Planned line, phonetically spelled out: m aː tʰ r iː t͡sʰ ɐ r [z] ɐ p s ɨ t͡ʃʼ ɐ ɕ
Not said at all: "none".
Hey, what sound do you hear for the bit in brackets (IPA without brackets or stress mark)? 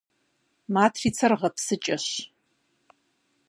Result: ʁ